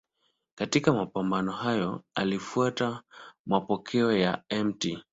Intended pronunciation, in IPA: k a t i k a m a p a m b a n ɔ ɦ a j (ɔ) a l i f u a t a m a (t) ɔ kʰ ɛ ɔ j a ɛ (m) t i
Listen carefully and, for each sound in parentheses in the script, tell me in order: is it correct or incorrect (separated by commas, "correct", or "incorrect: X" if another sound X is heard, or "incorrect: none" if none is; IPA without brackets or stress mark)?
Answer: correct, incorrect: p, correct